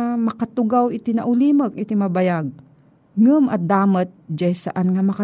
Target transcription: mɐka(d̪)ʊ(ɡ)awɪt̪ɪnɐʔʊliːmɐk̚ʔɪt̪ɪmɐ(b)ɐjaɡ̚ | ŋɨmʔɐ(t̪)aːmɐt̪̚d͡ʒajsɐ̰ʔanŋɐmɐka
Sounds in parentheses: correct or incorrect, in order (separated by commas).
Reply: incorrect, correct, correct, incorrect